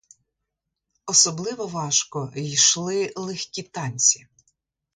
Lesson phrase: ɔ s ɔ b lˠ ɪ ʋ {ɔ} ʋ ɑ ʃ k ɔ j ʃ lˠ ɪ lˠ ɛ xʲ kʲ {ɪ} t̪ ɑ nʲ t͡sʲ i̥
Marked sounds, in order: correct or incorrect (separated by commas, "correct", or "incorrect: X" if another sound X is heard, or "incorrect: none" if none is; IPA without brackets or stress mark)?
correct, incorrect: i